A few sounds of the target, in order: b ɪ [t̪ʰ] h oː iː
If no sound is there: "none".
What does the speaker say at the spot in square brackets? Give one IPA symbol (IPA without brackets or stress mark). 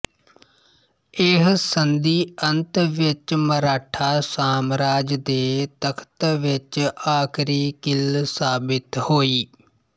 t̪